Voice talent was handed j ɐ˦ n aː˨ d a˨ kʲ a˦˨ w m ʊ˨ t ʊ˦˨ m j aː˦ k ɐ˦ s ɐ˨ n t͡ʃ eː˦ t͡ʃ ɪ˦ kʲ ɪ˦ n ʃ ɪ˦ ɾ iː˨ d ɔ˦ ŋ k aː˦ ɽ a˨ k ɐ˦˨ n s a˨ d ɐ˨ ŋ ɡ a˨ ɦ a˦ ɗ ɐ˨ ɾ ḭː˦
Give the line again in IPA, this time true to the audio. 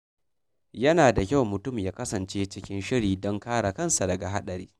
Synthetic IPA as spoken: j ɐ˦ n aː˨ d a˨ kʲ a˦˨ w m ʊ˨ t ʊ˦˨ m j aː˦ k ɐ˦ s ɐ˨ n t͡ʃ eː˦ t͡ʃ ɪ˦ kʲ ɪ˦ n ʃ ɪ˦ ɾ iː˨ d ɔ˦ ŋ k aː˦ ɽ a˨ k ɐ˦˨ n s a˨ d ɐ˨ ɡ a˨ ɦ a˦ ɗ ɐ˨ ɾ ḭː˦